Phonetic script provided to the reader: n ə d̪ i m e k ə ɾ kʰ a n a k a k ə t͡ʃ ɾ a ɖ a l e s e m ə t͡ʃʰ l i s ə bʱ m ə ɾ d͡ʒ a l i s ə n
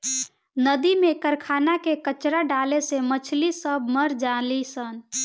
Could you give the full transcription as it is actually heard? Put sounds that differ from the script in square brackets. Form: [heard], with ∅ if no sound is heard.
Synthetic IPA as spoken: n ə d̪ i m e k ə ɾ kʰ a n a k [e] k ə t͡ʃ ɾ a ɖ a l e s e m ə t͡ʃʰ l i s ə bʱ m ə ɾ d͡ʒ a l i s ə n

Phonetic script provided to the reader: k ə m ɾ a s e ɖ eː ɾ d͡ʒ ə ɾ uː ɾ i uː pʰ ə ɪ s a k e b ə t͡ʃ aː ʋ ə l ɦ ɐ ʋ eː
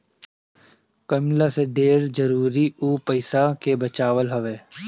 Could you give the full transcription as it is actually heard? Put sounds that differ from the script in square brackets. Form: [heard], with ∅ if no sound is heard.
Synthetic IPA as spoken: k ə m [l] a s e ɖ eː ɾ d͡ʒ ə ɾ uː ɾ i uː [p] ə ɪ s a k e b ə t͡ʃ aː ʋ ə l ɦ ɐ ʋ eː

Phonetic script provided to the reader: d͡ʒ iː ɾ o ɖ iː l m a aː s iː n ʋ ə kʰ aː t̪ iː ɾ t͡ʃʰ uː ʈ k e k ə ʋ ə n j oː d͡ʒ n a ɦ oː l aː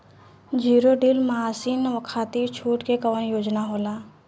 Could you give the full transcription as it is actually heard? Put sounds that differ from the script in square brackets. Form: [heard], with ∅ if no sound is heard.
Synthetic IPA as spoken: d͡ʒ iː ɾ o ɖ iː l m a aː s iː n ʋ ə kʰ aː t̪ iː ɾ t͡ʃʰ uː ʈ k e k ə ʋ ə n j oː d͡ʒ n a ɦ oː l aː

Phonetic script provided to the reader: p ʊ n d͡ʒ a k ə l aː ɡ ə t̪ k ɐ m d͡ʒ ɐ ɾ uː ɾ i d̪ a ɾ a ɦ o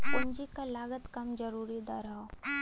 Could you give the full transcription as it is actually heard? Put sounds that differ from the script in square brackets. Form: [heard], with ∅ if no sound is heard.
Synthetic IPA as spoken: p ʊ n d͡ʒ [i] k [a] l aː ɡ ə t̪ k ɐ m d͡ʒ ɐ ɾ uː ɾ i d̪ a ɾ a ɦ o

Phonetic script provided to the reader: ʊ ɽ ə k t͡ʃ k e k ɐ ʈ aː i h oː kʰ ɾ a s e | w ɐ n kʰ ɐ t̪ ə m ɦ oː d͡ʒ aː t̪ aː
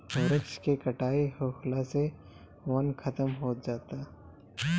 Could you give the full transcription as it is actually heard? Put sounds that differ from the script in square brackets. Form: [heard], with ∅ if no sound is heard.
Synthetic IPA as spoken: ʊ [ɾ] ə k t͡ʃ k e k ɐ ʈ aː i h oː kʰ [l] a s e | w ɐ n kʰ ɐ t̪ ə m ɦ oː d͡ʒ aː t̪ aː

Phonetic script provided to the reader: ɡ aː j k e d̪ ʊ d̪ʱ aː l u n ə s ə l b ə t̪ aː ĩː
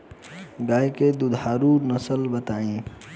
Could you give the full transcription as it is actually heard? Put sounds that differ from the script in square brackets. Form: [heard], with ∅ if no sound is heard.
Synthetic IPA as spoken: ɡ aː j k e d̪ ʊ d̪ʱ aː [ɾ] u n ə s ə l b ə t̪ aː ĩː

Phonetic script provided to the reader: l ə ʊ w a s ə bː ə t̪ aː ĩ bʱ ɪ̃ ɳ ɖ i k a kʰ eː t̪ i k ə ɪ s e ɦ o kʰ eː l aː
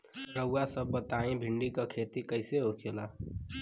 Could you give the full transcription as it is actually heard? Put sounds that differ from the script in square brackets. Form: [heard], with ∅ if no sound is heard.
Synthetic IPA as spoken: [ɾ] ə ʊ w a s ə bː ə t̪ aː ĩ bʱ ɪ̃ ɳ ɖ i k a kʰ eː t̪ i k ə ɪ s e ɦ o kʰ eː l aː

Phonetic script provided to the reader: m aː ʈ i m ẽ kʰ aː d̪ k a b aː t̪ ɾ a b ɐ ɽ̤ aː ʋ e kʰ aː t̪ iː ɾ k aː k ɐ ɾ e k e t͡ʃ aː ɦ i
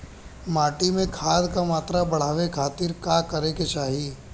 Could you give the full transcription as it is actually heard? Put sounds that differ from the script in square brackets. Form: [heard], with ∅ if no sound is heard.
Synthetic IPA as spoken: m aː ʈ i m ẽ kʰ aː d̪ k a [m] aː t̪ ɾ a b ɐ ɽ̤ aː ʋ e kʰ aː t̪ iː ɾ k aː k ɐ ɾ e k e t͡ʃ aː ɦ i

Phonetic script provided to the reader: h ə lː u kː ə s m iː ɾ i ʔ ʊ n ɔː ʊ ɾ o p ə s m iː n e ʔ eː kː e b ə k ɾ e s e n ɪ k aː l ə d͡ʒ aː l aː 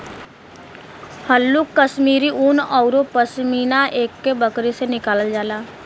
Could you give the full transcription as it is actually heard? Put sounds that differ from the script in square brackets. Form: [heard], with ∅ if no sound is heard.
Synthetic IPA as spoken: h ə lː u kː ə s m iː ɾ i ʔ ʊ n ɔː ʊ ɾ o p ə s m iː n [a] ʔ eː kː e b ə k ɾ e s e n ɪ k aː l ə d͡ʒ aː l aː

